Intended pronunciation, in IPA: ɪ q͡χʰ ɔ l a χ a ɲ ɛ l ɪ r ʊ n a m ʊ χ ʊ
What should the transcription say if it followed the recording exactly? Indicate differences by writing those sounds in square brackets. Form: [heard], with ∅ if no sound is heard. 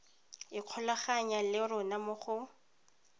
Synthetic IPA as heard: ɪ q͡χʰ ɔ l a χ a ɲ [a] l ɪ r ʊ n a m ʊ χ ʊ